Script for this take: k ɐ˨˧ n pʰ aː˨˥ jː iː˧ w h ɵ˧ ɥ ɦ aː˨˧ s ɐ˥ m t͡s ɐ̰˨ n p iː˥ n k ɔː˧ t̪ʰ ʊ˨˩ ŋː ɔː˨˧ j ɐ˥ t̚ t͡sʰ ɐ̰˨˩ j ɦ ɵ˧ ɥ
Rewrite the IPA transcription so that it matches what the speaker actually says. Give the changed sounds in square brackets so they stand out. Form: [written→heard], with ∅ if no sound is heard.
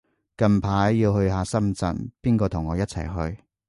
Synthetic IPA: k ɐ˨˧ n pʰ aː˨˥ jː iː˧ w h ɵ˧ ɥ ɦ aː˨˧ s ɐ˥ m t͡s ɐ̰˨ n p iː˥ n k ɔː˧ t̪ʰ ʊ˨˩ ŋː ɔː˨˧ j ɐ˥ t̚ t͡sʰ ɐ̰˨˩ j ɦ ɵ˧ ɥ